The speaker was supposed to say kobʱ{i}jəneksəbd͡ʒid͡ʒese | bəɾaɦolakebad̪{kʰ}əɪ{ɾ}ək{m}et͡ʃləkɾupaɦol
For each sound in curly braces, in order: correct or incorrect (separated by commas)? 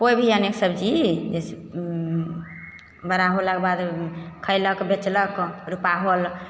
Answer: correct, correct, incorrect, incorrect